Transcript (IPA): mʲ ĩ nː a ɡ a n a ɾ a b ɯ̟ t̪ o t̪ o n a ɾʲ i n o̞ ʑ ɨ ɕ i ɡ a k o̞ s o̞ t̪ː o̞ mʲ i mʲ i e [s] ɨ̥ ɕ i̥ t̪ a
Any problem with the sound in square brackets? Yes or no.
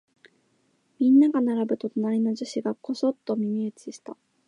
yes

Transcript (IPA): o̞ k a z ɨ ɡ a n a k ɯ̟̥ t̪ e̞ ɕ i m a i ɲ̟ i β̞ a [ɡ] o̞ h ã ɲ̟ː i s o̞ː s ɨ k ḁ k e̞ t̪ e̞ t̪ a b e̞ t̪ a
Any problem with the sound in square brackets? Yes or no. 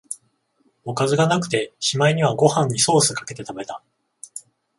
no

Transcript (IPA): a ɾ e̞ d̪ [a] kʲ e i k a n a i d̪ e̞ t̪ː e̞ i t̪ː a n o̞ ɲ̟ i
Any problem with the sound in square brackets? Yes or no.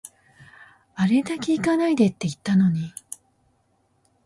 no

